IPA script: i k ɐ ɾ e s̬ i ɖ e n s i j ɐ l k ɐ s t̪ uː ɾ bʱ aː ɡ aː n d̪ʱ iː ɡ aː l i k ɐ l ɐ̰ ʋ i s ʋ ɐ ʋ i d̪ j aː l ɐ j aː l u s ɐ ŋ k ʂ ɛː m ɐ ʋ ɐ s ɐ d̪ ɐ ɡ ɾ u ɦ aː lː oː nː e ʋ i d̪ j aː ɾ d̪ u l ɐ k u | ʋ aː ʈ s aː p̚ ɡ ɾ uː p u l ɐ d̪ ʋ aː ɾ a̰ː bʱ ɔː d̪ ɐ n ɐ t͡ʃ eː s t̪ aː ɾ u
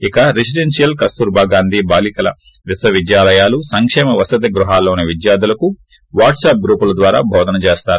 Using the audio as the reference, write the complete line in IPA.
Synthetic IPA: i k ɐ ɾ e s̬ i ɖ e n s i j ɐ l k ɐ s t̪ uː ɾ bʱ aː ɡ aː n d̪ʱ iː b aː l i k ɐ l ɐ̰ ʋ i s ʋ ɐ ʋ i d̪ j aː l ɐ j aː l u s ɐ ŋ k ʂ ɛː m ɐ ʋ ɐ s ɐ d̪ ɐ ɡ ɾ u ɦ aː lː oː n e ʋ i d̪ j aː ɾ d̪ u l ɐ k u | ʋ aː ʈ s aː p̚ ɡ ɾ uː p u l ɐ d̪ ʋ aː ɾ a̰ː bʱ ɔː d̪ ɐ n ɐ t͡ʃ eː s t̪ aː ɾ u